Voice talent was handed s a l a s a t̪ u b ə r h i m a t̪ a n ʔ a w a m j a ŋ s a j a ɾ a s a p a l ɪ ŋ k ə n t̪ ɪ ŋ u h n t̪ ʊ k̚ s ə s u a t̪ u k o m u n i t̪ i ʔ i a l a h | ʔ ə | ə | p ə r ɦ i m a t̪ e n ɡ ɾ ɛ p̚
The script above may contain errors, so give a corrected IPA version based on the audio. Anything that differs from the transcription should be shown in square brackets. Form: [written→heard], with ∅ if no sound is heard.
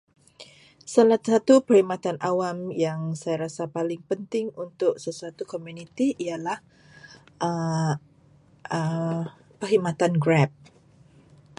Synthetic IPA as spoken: s a l a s a t̪ u [b→p] ə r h i m a t̪ a n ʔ a w a m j a ŋ s a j a ɾ a s a p a l ɪ ŋ [k→p] ə n t̪ ɪ ŋ u [h→∅] n t̪ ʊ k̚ s ə s u a t̪ u k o m u n i t̪ i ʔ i a l a h | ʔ ə | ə | p ə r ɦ i m a t̪ [e→a] n ɡ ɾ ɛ p̚